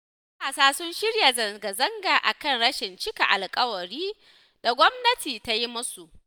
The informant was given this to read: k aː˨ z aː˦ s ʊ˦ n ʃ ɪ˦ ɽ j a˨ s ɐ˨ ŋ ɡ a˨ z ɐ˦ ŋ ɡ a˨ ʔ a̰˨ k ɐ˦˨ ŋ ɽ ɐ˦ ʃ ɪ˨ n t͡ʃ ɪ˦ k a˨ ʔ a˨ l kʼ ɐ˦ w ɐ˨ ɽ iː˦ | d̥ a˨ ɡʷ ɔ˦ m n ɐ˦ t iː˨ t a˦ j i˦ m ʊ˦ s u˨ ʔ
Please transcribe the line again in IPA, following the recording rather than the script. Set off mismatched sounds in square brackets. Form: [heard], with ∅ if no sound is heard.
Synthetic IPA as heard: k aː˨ [s] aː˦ s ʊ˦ n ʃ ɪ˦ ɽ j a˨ [z] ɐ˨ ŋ ɡ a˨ z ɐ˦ ŋ ɡ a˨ ʔ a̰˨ k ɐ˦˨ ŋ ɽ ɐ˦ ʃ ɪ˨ n t͡ʃ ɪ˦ k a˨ ʔ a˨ l kʼ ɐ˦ w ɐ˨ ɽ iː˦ | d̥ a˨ ɡʷ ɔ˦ m n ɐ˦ t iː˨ t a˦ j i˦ m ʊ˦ s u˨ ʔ